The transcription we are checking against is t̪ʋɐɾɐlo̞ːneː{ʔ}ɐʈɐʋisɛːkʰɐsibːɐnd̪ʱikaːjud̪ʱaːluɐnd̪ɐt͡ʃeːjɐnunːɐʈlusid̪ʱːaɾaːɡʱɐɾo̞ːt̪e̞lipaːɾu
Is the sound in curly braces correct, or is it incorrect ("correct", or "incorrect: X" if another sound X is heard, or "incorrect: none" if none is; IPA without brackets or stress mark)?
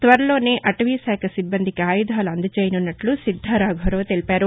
correct